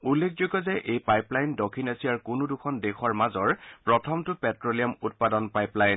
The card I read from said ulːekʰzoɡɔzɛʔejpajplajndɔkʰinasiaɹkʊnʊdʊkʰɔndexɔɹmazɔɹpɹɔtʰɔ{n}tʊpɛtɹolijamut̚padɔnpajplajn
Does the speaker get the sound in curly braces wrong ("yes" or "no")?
yes